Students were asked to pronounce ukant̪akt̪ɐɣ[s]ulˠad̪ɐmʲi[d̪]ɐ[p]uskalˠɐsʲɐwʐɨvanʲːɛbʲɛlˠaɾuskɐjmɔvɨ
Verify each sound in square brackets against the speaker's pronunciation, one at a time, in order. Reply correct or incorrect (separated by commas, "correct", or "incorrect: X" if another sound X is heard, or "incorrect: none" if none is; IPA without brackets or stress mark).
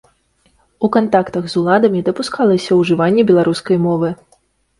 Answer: incorrect: z, correct, correct